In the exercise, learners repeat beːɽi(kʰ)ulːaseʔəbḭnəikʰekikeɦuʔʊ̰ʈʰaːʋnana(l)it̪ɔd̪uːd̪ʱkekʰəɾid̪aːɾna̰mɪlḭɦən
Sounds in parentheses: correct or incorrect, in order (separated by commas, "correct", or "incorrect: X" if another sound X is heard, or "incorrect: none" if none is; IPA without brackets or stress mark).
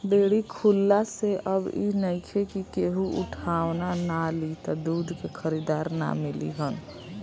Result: correct, correct